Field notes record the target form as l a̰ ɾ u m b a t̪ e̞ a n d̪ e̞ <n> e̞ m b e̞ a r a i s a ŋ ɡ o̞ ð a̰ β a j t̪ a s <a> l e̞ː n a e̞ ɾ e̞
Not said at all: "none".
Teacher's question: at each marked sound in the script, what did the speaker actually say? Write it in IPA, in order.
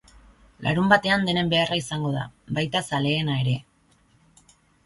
n, a

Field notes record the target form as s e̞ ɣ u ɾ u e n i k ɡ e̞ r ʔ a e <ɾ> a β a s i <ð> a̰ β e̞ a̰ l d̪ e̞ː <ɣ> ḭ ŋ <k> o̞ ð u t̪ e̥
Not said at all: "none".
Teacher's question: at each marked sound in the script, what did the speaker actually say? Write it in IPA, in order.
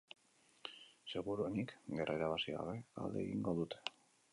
ɾ, ɣ, ɣ, ɡ

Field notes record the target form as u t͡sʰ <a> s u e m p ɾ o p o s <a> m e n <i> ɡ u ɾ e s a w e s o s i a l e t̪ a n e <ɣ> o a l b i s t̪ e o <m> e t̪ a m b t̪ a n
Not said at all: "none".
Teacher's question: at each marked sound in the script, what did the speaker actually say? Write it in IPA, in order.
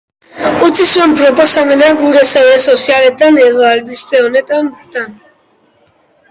i, a, a, ð, n

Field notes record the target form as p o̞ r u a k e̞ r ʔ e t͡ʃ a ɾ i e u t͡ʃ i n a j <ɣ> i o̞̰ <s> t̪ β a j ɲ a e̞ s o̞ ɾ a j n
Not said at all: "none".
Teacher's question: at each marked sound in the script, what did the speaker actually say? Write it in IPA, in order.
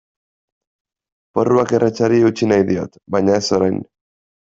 ð, none

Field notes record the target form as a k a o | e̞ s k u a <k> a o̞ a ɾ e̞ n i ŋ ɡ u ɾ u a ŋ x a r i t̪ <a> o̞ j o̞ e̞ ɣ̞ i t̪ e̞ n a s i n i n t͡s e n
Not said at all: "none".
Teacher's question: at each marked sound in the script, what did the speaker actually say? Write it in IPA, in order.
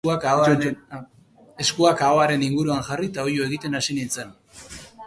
k, a

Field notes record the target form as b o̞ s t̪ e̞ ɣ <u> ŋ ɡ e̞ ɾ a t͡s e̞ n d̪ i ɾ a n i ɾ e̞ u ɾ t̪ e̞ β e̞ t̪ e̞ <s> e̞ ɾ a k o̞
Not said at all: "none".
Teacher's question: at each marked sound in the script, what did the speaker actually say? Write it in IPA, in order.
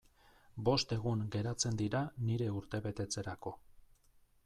u, t͡s

